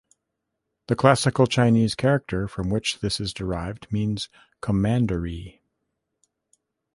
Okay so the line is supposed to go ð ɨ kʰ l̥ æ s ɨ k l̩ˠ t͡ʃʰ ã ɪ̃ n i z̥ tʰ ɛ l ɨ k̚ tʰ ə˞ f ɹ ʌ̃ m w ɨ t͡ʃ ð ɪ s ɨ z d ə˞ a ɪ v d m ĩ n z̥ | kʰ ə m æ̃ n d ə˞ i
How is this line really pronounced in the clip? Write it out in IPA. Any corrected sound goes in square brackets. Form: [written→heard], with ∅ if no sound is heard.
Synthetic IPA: ð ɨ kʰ l̥ æ s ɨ k l̩ˠ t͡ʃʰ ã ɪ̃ n i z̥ [tʰ→kʰ] ɛ [l→ɹ] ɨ k̚ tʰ ə˞ f ɹ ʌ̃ m w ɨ t͡ʃ ð ɪ s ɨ z d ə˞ a ɪ v d m ĩ n z̥ | kʰ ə m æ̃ n d ə˞ i